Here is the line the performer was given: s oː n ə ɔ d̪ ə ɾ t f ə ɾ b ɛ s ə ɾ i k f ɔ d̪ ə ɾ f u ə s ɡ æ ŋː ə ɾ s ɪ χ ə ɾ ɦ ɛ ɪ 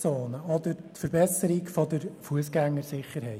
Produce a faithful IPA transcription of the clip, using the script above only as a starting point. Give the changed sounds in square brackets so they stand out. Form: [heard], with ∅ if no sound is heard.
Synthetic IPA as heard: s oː n ə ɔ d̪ ə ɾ t f ə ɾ b ɛ s ə ɾ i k f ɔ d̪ ə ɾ f u ə s ɡ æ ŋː ə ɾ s ɪ χ ə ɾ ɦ ɛ ɪ